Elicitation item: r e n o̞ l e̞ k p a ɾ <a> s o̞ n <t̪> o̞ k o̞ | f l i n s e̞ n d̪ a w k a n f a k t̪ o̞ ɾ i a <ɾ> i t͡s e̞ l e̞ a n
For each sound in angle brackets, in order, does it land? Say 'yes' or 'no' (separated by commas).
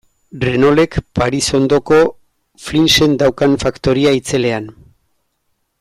no, no, no